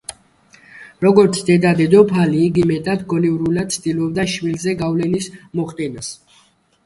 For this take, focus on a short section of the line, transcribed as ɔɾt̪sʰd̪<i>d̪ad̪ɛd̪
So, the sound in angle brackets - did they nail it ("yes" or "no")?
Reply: no